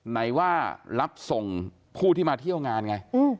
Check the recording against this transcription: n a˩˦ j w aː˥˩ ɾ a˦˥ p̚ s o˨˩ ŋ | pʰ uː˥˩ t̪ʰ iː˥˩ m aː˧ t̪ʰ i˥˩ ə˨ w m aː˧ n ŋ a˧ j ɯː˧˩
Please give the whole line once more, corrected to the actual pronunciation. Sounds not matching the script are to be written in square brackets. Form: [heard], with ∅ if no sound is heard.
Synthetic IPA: n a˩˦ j w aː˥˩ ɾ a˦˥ p̚ s o˨˩ ŋ | pʰ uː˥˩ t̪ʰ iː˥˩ m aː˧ t̪ʰ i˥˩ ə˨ w [ŋ] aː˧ n ŋ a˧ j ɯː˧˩